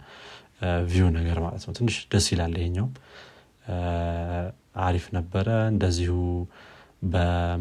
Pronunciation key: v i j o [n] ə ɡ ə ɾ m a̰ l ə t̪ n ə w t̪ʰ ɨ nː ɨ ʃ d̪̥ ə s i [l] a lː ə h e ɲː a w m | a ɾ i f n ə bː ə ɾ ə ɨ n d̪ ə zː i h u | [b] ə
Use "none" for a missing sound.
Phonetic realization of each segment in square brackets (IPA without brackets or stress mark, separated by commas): n, l, b